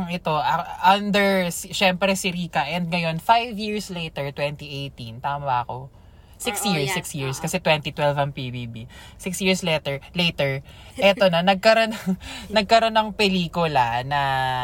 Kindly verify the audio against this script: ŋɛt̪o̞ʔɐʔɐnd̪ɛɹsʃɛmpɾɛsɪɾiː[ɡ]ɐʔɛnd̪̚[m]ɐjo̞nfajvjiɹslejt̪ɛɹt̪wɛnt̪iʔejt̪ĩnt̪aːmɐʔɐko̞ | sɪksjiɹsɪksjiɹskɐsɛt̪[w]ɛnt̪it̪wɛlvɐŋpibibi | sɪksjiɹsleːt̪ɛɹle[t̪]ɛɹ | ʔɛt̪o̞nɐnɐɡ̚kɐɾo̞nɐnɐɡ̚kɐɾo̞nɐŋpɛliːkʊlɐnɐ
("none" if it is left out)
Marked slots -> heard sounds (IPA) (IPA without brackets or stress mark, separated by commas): k, ŋ, w, t̪